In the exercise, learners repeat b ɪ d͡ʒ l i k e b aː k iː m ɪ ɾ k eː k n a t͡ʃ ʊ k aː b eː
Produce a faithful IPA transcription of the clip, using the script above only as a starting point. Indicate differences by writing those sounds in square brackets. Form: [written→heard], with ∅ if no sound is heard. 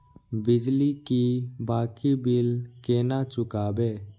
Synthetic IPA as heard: b ɪ d͡ʒ l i k [e→i] b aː k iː [m→b] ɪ [ɾ→l] k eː [k→∅] n a t͡ʃ ʊ k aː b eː